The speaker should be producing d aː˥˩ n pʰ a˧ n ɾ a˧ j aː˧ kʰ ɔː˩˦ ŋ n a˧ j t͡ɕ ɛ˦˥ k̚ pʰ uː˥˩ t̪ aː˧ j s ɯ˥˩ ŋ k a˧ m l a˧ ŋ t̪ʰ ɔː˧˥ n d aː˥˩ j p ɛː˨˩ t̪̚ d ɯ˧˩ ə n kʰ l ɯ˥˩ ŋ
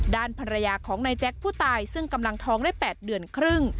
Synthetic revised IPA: d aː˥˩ n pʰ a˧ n ɾ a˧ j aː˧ kʰ ɔː˩˦ ŋ n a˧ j t͡ɕ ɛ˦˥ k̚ pʰ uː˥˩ t̪ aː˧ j s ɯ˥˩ ŋ k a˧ m l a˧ ŋ t̪ʰ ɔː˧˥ ŋ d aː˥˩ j p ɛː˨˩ t̪̚ d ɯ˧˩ ə n kʰ ɾ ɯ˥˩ ŋ